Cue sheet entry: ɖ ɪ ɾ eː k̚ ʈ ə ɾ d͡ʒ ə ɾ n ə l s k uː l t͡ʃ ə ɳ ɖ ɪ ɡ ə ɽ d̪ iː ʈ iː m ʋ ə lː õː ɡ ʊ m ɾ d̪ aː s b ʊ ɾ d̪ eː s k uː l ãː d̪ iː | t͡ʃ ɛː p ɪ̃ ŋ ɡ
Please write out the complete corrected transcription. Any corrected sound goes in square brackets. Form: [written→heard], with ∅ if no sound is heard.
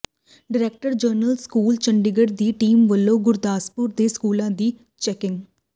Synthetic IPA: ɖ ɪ ɾ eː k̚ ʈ ə ɾ d͡ʒ ə ɾ n ə l s k uː l t͡ʃ ə ɳ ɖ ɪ ɡ ə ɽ d̪ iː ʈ iː m ʋ ə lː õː ɡ ʊ [m→∅] ɾ d̪ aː s [b→p] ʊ ɾ d̪ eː s k uː l ãː d̪ iː | t͡ʃ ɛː [p→k] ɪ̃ ŋ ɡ